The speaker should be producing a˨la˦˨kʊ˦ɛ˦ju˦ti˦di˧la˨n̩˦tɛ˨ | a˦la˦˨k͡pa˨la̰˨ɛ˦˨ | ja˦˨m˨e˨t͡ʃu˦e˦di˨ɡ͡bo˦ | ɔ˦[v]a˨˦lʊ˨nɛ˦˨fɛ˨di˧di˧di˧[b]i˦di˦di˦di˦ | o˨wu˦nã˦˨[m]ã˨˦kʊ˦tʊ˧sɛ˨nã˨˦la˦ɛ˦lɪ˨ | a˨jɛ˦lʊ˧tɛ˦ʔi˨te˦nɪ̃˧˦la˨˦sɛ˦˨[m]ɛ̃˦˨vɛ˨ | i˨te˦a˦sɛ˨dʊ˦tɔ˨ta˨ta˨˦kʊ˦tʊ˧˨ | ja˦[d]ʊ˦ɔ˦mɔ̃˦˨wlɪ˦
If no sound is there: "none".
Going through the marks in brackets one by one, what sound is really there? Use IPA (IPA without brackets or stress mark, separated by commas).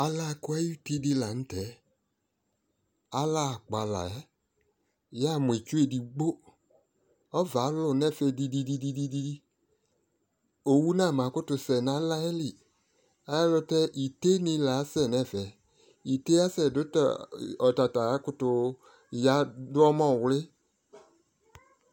v, d, m, n, d